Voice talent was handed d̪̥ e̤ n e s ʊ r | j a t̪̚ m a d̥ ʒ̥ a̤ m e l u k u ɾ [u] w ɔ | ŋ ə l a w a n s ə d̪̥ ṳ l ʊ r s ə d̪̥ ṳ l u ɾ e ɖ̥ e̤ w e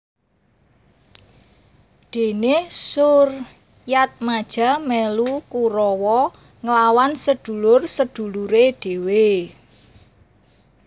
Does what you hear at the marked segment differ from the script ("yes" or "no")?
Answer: yes